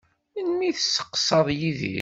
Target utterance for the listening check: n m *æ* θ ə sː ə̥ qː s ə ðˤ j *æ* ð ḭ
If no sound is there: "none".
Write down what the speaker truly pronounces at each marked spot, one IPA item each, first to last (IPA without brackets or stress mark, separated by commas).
i, i